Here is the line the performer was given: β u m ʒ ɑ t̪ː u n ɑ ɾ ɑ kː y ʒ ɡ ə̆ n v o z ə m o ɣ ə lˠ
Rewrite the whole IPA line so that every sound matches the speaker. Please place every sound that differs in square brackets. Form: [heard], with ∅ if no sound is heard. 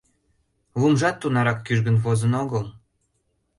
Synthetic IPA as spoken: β u m ʒ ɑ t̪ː u n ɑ ɾ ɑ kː y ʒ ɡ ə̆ n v o z ə [n] o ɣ ə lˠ